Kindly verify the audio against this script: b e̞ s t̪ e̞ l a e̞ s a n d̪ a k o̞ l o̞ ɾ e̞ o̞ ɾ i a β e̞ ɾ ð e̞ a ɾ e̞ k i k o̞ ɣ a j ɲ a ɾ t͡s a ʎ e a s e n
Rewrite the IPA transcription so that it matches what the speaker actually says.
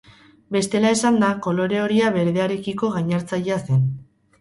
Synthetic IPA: b e̞ s t̪ e̞ l a e̞ s a n d̪ a k o̞ l o̞ ɾ e̞ o̞ ɾ i a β e̞ ɾ ð e̞ a ɾ e̞ k i k o̞ ɣ a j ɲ a ɾ t͡s a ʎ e a s e n